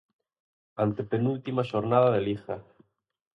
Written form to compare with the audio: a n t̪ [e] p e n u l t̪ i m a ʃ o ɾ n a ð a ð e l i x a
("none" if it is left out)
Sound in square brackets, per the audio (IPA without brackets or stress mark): e